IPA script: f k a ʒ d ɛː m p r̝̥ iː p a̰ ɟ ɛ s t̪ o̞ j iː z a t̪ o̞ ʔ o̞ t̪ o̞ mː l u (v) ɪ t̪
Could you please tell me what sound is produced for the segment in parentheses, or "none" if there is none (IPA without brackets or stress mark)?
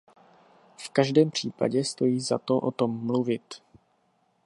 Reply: v